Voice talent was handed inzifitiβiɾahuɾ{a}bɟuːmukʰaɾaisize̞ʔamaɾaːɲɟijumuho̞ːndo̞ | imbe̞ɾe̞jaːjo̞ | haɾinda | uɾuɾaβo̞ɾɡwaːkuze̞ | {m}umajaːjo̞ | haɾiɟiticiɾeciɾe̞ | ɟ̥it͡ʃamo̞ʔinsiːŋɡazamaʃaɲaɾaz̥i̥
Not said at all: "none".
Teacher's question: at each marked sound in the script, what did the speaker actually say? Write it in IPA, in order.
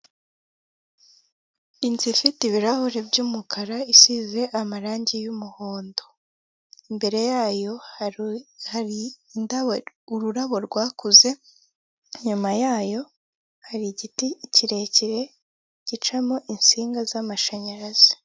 e, ɲ

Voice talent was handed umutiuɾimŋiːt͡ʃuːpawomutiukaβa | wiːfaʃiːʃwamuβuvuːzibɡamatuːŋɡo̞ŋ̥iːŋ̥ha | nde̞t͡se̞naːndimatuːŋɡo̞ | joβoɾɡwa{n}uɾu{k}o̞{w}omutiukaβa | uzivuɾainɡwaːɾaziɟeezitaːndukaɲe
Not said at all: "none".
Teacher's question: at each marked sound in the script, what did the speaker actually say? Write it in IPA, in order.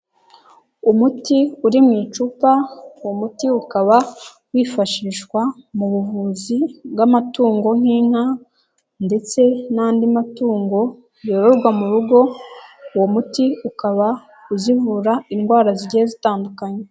m, ɡ, w

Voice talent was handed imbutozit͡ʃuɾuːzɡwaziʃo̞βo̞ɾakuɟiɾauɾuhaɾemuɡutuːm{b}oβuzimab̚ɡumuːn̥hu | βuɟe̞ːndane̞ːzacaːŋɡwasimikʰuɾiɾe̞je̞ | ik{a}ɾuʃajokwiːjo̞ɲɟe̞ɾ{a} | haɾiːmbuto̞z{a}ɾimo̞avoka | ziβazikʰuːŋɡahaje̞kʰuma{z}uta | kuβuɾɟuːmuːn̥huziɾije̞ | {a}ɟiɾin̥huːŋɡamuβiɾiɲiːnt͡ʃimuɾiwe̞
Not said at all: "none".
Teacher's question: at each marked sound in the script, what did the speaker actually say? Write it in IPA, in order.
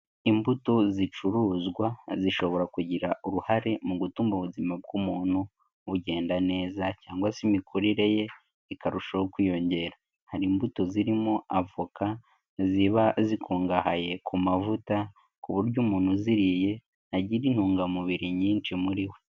b, a, a, i, v, a

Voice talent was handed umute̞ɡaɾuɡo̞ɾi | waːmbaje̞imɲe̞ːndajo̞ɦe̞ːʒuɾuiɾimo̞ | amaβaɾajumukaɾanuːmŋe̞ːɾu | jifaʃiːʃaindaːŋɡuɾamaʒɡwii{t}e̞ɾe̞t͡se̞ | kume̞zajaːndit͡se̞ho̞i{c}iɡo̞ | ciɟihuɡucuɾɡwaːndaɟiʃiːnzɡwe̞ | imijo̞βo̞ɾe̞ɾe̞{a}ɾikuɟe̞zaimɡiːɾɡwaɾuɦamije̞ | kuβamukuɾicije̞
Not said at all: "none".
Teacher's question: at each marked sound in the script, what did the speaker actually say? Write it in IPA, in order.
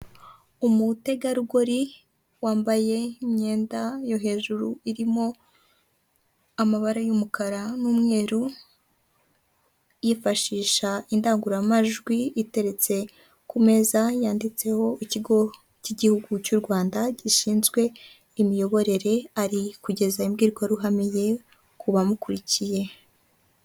t, c, a

